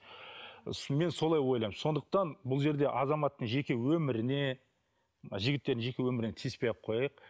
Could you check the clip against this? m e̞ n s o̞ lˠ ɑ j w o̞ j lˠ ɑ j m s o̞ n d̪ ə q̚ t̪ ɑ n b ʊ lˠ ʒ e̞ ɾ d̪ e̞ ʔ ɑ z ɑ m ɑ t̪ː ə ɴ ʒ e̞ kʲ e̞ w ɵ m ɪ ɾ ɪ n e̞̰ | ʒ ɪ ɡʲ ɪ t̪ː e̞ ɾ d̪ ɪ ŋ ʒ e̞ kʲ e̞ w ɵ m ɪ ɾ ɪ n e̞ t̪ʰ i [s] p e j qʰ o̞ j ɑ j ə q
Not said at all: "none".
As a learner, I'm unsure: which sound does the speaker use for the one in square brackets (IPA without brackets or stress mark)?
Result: s